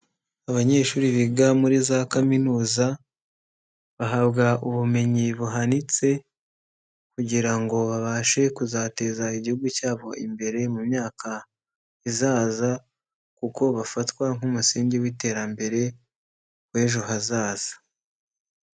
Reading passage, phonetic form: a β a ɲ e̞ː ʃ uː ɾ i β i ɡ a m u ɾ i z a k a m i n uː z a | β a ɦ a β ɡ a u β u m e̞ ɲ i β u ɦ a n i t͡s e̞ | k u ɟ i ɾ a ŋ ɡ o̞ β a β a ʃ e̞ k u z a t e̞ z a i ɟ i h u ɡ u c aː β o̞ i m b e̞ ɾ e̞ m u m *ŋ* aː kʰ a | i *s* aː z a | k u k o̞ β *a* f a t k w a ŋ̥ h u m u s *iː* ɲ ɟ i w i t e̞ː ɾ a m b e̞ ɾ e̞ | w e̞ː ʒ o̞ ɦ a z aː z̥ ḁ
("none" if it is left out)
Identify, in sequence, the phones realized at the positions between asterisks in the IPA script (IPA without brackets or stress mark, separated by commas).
ɲ, z, a, iː